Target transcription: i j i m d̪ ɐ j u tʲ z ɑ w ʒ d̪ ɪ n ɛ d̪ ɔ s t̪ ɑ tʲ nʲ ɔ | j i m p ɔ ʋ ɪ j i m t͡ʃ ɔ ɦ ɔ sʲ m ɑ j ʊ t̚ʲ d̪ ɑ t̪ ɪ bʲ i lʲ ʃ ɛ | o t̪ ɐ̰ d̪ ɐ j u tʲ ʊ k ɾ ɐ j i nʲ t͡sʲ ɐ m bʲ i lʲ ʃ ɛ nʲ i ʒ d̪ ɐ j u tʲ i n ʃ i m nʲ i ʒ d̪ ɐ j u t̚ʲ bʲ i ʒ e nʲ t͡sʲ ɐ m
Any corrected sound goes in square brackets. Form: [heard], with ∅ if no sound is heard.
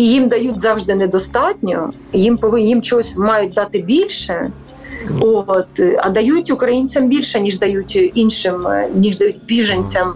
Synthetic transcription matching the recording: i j i m d̪ ɐ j u tʲ z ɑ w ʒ d̪ ɪ n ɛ d̪ ɔ s t̪ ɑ tʲ nʲ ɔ | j i m p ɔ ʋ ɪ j i m t͡ʃ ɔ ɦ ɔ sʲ m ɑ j ʊ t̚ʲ d̪ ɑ t̪ ɪ bʲ i lʲ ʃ ɛ | o t̪ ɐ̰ d̪ ɐ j u tʲ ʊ k ɾ ɐ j i nʲ t͡sʲ ɐ m bʲ i lʲ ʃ ɛ nʲ i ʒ d̪ ɐ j u tʲ i n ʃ [ɪ] m nʲ i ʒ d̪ ɐ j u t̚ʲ bʲ i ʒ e nʲ t͡sʲ ɐ m